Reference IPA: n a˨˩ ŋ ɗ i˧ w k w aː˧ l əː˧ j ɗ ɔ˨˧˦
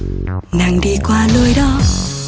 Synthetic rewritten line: n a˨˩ ŋ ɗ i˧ k w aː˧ l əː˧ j ɗ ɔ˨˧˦